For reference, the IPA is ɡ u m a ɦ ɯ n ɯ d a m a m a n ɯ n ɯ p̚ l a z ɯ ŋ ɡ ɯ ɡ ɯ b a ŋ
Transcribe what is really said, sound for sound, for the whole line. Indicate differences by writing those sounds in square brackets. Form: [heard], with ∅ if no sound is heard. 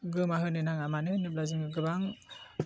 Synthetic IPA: ɡ [ɯ] m a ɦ ɯ n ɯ [n] a [ŋ] a m a n ɯ n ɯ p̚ l a z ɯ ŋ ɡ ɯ ɡ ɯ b a ŋ